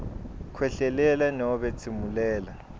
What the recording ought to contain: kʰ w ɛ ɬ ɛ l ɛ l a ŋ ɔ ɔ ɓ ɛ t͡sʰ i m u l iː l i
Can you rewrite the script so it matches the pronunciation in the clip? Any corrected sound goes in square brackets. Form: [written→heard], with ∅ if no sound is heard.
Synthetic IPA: kʰ w ɛ ɬ ɛ l ɛ l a [ŋ→n] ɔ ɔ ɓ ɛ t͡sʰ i m u l [iː→ɛː] l [i→a]